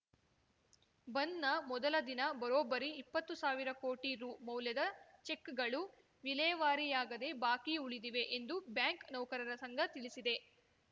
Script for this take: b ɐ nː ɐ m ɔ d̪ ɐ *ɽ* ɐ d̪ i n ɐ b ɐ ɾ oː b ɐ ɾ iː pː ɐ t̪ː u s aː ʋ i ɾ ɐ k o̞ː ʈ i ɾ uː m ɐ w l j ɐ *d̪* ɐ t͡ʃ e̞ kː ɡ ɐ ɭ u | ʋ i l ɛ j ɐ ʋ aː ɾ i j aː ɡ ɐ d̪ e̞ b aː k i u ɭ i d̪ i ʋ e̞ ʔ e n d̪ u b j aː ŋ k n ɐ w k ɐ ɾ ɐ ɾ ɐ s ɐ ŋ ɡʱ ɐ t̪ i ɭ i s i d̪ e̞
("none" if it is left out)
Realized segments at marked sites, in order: l, d̪

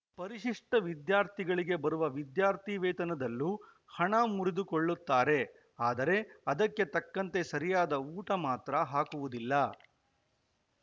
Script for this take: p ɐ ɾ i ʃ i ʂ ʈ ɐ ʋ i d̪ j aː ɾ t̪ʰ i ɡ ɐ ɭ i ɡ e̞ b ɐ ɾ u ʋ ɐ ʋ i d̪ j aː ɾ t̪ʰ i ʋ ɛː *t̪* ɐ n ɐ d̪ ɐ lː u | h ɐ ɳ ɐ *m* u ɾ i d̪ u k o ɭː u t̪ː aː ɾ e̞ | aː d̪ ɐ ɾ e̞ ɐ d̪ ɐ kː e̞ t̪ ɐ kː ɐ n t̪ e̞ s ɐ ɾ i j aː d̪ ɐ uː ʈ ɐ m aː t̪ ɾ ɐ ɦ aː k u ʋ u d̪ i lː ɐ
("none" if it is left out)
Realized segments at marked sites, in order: t̪, m

